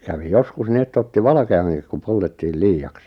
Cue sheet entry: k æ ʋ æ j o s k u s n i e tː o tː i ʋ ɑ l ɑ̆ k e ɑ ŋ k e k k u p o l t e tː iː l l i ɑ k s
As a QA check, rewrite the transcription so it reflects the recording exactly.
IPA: k æ ʋ i j o s k u s n i e tː o tː i ʋ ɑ l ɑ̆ k e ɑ ŋ k i k k u p o l t e tː iː l l iː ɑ k s